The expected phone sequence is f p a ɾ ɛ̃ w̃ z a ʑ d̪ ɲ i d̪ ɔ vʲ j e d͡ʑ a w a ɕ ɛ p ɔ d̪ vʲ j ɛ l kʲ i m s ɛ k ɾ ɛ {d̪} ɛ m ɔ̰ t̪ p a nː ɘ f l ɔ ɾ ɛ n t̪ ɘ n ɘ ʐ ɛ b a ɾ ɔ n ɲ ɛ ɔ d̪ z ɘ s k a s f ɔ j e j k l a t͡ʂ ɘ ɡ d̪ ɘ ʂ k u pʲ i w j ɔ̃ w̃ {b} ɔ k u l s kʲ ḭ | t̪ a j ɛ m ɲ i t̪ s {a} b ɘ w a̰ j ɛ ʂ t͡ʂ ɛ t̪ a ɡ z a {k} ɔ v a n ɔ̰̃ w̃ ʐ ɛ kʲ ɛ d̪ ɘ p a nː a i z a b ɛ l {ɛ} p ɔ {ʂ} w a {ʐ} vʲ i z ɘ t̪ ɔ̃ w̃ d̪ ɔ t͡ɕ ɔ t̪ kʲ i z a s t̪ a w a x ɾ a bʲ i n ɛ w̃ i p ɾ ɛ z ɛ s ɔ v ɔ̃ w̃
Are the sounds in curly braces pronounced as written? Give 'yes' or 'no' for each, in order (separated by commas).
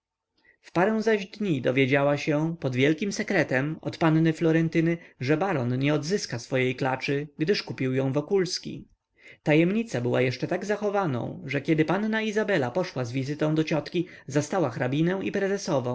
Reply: no, no, yes, no, no, yes, no